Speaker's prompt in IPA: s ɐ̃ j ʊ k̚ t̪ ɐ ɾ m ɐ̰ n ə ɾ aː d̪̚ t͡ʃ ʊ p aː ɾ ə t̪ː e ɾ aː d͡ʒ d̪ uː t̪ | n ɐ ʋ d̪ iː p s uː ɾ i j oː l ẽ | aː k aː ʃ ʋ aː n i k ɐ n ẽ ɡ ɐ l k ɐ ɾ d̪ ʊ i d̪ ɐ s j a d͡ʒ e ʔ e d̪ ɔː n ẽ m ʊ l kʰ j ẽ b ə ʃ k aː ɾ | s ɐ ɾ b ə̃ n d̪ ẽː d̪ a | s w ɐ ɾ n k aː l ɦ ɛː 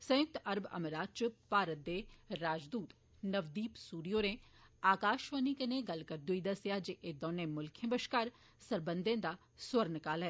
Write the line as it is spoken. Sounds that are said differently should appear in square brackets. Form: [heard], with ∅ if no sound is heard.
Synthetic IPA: s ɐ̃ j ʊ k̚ t̪ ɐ ɾ [b] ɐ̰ [m] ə ɾ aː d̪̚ t͡ʃ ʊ p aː ɾ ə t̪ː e ɾ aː d͡ʒ d̪ uː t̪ | n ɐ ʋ d̪ iː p s uː ɾ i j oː [ɾ] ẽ | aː k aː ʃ ʋ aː n i k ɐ n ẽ ɡ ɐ l k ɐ ɾ d̪ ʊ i d̪ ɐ s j a d͡ʒ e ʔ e d̪ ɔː n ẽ m ʊ l kʰ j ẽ b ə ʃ k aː ɾ | s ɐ ɾ b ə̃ n d̪ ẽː d̪ a | s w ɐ ɾ n k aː l ɦ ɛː